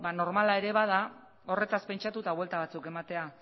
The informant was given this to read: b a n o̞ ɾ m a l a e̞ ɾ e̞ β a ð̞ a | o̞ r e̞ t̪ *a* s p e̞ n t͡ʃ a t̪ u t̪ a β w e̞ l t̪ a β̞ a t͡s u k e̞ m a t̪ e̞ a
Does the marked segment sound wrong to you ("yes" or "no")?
no